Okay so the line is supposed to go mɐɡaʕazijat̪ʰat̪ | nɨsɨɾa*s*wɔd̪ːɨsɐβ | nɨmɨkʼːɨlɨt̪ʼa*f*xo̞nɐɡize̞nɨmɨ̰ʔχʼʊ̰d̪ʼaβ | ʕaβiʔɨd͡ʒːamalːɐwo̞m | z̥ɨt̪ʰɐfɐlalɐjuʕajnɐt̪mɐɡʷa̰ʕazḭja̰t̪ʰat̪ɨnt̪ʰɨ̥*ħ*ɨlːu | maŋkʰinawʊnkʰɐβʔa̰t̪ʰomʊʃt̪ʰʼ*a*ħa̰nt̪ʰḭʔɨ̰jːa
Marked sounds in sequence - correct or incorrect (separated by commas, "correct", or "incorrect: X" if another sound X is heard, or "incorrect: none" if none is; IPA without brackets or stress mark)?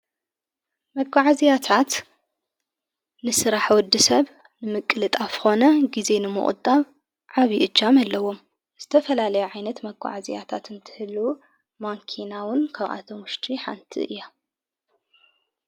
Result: incorrect: ħ, correct, incorrect: h, incorrect: i